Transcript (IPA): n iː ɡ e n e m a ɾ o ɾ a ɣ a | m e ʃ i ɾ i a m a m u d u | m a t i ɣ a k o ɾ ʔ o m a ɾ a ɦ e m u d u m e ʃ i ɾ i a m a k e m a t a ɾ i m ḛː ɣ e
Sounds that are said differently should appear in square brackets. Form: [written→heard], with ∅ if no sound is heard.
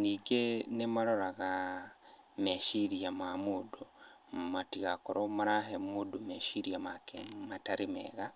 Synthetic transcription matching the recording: n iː ɡ e n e m a ɾ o ɾ a ɣ a | m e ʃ i ɾ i a m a m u d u | m a t i ɣ a k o ɾ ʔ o m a ɾ a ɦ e m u d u m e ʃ i ɾ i a m a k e m a t a ɾ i m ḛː ɣ [e→a]